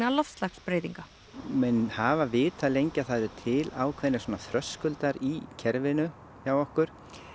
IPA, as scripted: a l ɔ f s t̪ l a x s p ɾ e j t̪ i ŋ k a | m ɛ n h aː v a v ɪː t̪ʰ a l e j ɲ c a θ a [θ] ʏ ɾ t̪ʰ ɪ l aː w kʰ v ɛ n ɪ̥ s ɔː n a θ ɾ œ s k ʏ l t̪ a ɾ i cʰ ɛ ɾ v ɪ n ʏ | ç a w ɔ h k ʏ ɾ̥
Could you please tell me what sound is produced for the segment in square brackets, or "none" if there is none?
ð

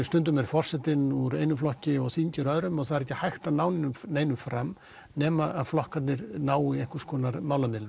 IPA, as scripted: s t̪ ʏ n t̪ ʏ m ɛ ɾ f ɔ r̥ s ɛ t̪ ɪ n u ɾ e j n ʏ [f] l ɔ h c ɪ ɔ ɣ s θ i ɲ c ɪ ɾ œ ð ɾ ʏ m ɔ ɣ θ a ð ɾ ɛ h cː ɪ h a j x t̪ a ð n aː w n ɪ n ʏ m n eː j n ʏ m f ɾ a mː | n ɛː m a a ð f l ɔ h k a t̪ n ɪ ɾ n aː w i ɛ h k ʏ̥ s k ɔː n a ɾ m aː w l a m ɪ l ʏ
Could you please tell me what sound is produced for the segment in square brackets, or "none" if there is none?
f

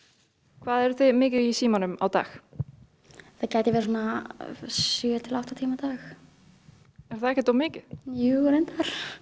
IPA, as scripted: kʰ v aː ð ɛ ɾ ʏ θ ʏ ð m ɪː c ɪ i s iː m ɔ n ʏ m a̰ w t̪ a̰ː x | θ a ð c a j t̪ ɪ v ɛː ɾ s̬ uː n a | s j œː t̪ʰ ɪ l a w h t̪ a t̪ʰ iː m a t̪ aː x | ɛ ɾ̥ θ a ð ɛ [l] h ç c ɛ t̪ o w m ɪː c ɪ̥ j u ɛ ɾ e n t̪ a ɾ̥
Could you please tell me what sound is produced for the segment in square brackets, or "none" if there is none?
none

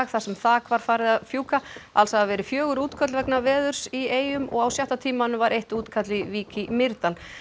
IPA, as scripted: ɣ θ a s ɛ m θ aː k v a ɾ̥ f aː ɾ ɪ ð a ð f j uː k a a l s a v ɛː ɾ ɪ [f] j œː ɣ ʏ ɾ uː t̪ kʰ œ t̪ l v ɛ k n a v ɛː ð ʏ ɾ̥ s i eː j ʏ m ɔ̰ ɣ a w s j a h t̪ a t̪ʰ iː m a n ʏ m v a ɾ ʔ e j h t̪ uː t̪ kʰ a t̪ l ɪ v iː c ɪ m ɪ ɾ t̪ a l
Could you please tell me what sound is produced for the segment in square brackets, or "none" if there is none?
f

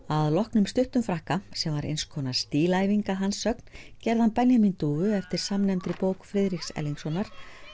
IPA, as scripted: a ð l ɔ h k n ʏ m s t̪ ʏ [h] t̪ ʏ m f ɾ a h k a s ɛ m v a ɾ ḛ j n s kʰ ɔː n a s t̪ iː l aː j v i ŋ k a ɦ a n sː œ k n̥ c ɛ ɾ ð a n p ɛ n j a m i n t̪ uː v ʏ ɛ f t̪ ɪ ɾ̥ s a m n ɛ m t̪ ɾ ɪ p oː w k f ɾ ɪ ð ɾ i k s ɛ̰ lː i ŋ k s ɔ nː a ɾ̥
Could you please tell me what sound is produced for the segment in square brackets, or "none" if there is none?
h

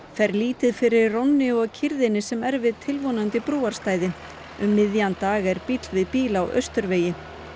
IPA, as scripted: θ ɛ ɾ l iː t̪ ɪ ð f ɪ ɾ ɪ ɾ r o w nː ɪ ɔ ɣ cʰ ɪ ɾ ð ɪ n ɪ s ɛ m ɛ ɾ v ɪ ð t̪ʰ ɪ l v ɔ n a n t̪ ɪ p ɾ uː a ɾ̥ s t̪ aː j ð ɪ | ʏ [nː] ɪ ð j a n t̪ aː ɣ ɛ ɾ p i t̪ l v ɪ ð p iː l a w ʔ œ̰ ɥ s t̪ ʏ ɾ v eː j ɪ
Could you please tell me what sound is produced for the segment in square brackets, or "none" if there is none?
mː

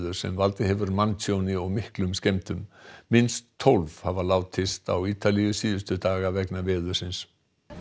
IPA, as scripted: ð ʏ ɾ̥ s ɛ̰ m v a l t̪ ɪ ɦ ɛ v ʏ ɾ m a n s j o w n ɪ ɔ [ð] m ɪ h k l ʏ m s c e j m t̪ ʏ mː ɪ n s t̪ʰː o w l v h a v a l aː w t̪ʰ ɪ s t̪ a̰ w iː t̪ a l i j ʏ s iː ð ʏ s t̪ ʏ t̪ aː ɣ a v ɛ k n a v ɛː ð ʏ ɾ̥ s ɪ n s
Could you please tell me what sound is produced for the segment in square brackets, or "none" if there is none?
ɣ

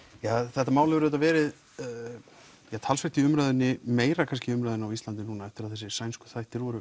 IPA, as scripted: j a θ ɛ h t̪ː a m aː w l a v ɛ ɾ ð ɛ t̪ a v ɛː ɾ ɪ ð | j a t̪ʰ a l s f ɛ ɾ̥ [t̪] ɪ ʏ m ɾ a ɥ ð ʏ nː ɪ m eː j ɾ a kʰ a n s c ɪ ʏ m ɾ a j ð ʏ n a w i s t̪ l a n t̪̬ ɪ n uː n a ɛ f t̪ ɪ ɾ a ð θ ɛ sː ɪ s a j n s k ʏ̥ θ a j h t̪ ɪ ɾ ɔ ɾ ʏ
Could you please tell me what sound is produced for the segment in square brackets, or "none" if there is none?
t̪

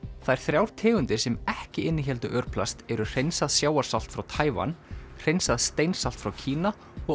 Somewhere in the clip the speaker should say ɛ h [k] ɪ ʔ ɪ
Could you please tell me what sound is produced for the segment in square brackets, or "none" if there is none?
c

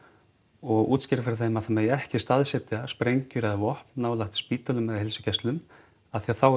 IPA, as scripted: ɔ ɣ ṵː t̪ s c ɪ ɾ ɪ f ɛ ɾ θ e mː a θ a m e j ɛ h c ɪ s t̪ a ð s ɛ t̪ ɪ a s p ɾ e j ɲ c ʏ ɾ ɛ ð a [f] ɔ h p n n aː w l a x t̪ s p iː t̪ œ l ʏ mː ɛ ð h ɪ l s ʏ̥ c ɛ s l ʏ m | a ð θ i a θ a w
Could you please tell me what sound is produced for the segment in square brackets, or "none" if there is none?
v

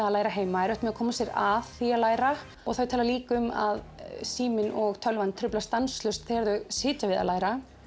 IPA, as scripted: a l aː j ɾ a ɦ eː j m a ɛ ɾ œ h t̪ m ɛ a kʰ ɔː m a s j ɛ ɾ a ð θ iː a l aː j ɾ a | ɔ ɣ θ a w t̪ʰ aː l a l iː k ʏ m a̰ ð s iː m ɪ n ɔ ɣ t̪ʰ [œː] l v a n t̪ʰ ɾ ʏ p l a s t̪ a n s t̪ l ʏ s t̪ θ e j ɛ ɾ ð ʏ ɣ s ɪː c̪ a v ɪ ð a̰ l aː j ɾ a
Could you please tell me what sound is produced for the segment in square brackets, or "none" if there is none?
œ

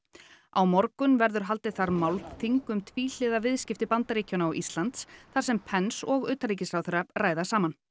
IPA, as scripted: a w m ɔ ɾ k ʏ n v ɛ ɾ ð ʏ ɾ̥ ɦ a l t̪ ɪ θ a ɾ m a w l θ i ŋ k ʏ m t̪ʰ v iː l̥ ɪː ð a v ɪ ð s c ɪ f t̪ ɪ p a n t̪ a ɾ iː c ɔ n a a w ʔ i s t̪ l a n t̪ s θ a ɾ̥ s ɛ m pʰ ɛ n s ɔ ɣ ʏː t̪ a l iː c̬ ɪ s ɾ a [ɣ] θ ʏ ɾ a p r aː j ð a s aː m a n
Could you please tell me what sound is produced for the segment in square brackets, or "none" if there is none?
w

